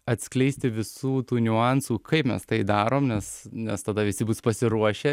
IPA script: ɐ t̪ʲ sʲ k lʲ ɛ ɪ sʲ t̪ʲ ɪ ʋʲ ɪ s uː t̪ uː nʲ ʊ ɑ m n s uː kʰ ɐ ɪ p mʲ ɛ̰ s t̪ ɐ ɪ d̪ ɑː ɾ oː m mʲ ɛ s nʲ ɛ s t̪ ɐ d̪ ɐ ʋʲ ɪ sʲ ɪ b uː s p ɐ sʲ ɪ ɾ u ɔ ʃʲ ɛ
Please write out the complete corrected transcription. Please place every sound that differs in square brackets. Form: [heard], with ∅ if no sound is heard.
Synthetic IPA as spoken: ɐ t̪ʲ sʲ k lʲ ɛ ɪ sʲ t̪ʲ ɪ ʋʲ ɪ s uː t̪ uː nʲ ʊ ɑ [∅] n s uː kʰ ɐ ɪ p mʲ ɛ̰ s t̪ ɐ ɪ d̪ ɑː ɾ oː m [nʲ] ɛ s nʲ ɛ s t̪ ɐ d̪ ɐ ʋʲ ɪ sʲ ɪ b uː s p ɐ sʲ ɪ ɾ u ɔ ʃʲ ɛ